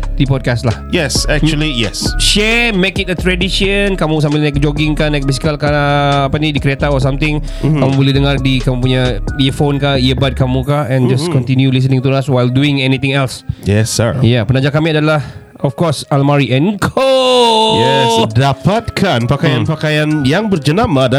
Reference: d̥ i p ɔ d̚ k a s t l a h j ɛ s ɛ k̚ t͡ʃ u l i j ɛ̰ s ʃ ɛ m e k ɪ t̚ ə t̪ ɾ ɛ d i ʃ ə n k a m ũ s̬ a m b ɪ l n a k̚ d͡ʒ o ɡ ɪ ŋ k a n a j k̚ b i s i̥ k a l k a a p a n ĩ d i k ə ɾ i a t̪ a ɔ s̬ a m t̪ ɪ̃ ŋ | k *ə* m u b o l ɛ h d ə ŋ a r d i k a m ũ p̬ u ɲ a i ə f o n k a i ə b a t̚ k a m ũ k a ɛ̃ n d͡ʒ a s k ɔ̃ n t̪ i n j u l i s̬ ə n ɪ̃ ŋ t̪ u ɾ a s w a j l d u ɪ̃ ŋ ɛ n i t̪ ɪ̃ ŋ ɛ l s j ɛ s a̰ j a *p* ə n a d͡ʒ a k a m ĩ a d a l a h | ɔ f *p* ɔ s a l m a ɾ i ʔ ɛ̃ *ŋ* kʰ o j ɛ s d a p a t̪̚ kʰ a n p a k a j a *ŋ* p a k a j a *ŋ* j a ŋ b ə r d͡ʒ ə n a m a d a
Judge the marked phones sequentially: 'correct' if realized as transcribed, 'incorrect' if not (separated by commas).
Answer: incorrect, correct, incorrect, incorrect, incorrect, incorrect